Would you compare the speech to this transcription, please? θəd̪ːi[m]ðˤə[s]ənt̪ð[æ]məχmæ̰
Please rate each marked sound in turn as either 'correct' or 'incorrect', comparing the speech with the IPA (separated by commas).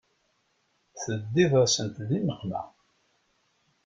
incorrect, correct, incorrect